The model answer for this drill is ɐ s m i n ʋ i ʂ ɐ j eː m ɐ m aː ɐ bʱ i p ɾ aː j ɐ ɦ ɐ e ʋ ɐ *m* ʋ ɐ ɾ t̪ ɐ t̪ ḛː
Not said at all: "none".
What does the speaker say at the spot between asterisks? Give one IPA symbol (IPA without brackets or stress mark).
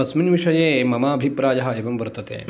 m